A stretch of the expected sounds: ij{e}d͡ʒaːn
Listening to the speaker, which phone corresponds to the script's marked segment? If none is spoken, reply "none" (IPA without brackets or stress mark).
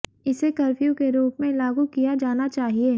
a